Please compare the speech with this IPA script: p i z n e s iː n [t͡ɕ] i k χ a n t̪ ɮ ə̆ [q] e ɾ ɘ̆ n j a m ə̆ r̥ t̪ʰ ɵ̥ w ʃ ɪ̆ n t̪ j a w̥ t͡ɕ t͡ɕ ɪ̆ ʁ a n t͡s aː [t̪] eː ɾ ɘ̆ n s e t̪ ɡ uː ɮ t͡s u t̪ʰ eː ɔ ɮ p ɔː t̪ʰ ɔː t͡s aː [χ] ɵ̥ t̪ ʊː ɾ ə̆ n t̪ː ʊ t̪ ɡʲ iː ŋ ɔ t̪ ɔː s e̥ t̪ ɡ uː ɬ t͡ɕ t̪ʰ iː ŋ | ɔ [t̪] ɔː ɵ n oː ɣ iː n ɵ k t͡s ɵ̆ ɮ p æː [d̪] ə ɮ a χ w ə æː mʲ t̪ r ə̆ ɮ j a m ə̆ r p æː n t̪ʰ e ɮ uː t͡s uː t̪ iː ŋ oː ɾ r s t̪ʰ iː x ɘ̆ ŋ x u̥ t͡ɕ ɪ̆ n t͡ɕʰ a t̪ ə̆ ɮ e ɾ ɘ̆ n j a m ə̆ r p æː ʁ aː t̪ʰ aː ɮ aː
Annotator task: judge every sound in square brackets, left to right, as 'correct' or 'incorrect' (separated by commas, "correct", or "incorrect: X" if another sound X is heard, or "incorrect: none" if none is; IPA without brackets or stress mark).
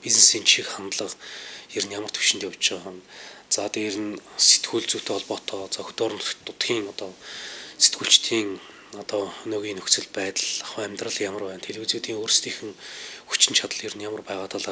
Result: incorrect: t͡ɕʰ, correct, correct, incorrect: x, correct, incorrect: t̪